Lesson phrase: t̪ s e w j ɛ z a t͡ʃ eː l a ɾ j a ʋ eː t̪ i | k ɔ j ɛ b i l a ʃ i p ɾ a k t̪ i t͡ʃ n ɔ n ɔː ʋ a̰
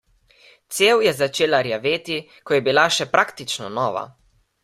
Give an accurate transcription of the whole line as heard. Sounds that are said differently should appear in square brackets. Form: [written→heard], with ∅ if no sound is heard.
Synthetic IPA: t̪ s e w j ɛ z a t͡ʃ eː l a ɾ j a ʋ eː t̪ i | k ɔ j ɛ b i l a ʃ [i→ɛ] p ɾ a k t̪ i t͡ʃ n ɔ n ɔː ʋ a̰